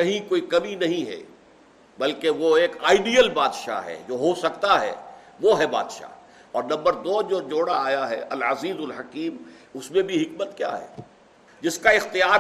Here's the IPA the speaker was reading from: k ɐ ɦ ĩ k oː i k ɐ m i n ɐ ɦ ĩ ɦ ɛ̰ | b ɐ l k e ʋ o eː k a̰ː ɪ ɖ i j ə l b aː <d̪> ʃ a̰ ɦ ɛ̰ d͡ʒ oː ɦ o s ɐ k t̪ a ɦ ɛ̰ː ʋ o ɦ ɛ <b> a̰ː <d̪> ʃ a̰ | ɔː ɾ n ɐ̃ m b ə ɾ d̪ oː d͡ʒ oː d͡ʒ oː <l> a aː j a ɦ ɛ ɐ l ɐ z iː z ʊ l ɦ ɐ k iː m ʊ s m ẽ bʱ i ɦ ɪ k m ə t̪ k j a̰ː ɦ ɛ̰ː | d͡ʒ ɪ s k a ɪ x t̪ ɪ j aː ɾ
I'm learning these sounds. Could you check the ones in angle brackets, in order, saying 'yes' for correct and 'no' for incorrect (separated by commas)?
yes, yes, yes, no